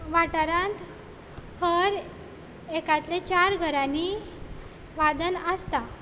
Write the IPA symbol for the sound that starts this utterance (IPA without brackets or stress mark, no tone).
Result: ʋ